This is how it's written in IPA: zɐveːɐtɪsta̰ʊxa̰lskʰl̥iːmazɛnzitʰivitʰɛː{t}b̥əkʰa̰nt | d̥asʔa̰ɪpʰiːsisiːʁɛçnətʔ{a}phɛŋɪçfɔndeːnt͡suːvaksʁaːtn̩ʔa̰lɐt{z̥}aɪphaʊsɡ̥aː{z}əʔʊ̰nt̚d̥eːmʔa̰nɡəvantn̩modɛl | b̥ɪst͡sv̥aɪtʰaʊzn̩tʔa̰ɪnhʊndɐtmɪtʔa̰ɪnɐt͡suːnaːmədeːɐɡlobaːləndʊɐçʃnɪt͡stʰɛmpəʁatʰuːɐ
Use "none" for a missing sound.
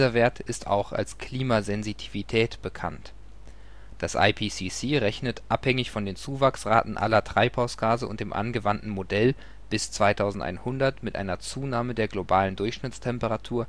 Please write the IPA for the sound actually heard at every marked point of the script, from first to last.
t, a, ʁ̥, z

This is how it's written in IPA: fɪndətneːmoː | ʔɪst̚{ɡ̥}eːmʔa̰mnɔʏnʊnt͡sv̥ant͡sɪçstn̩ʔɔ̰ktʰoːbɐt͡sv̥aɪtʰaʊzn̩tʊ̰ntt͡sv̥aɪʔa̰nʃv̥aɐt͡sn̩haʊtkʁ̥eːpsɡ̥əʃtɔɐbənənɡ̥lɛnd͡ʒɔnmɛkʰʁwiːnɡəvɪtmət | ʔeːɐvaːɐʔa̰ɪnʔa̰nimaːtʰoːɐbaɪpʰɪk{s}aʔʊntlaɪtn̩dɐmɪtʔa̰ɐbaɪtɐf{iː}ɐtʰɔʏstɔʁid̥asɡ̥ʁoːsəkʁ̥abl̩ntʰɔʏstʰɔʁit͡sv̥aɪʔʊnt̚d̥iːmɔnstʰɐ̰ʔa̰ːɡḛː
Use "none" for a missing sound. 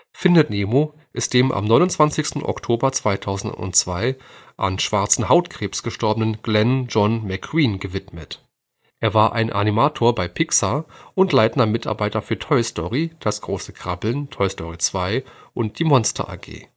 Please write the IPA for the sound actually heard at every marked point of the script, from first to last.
d̥, s, yː

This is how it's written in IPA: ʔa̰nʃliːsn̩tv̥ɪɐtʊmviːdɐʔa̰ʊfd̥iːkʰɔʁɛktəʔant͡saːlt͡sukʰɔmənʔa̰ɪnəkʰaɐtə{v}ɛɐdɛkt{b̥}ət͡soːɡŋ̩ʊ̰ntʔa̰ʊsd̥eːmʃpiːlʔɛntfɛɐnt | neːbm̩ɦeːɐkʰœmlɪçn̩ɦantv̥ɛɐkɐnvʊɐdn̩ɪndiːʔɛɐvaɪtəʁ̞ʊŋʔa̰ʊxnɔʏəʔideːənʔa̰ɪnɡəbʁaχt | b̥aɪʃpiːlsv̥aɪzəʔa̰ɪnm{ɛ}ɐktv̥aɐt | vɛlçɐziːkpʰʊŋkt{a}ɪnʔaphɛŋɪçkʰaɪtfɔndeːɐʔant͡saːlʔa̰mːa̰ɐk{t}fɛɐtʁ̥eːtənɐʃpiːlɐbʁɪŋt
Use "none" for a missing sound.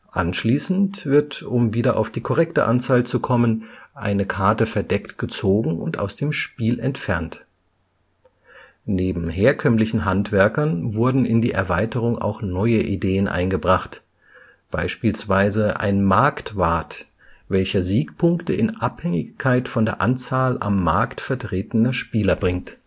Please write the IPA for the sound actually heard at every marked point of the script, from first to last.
f, ɡ̥, a, ə, t

